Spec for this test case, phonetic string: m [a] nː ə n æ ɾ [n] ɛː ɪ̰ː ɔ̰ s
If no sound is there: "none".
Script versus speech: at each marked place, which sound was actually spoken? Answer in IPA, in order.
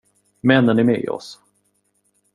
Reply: ɛ, m

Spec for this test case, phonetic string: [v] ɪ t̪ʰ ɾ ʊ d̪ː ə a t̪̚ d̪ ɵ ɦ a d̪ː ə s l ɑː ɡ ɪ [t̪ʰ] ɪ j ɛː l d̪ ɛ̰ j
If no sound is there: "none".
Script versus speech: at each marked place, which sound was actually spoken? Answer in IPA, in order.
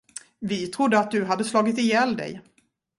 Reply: v, t̪

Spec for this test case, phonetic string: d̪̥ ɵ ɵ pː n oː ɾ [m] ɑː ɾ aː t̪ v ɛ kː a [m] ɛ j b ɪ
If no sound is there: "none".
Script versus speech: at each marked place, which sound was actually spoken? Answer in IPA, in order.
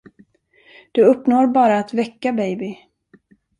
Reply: b, b

